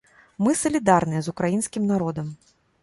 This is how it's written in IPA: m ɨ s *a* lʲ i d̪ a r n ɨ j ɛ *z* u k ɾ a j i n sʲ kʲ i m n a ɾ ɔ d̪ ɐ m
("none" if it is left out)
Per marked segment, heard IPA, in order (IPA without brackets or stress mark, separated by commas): ɐ, z